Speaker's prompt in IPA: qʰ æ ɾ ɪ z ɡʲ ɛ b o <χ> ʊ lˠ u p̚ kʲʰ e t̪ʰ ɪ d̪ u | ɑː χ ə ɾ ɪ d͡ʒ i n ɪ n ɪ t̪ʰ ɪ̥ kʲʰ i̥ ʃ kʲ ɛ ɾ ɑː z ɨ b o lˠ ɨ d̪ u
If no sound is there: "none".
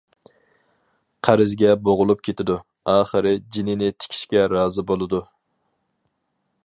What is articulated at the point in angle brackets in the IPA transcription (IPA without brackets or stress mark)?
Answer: ʁ